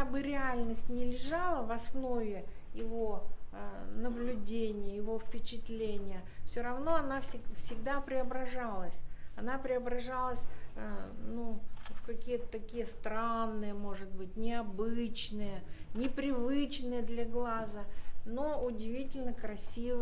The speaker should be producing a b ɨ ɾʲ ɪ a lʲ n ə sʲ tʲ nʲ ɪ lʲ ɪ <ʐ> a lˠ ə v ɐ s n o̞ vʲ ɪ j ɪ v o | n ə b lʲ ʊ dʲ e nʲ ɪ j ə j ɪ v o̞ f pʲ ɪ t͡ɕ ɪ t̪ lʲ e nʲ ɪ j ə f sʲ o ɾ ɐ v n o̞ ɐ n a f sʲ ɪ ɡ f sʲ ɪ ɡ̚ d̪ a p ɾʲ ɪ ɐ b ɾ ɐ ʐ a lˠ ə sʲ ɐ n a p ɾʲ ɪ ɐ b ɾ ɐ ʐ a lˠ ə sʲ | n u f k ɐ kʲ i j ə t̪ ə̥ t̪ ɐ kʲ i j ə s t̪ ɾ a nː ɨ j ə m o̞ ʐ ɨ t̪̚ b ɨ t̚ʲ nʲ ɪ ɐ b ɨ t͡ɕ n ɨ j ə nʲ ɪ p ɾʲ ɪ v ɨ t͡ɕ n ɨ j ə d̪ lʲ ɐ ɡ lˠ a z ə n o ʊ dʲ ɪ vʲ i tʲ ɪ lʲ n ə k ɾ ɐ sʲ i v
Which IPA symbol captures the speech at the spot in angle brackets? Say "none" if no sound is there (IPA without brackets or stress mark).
ʐ